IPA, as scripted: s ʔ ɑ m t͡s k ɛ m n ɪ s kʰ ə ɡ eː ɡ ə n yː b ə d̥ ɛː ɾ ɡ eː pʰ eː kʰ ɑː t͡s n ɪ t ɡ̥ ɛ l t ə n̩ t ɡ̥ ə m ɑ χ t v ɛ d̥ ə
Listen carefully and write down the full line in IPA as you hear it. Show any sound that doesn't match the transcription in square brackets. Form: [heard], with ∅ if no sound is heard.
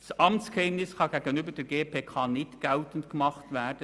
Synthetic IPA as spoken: s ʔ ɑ m t͡s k ɛ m n ɪ s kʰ [ɑ] ɡ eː ɡ ə n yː b ə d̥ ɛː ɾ ɡ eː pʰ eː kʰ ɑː [∅] n ɪ t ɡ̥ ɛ l t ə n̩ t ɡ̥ ə m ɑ χ t v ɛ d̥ ə